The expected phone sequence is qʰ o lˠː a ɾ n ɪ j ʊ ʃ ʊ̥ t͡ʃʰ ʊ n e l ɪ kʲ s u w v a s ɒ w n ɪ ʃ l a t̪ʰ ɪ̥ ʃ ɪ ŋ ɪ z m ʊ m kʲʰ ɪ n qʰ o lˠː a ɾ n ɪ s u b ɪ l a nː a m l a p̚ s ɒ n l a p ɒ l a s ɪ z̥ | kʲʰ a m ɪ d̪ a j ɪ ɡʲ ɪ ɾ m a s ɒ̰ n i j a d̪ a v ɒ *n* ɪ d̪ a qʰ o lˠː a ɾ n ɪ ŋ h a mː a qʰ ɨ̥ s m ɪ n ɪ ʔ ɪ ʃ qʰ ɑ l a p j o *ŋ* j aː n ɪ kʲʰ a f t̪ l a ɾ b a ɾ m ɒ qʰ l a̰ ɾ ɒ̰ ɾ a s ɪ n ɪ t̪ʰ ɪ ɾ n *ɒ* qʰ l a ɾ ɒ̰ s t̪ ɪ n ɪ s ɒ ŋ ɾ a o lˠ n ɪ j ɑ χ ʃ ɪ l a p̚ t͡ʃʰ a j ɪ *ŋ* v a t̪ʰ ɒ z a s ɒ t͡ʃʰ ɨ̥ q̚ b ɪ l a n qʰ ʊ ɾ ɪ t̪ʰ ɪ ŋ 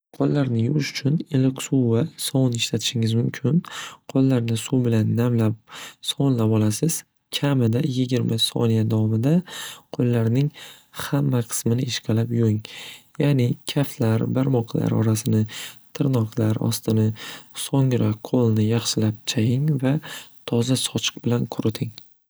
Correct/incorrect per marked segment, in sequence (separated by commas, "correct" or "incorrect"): incorrect, correct, correct, correct